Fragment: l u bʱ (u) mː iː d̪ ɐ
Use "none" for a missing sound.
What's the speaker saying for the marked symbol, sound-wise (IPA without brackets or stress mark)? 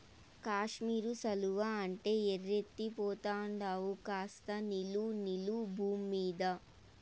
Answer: uː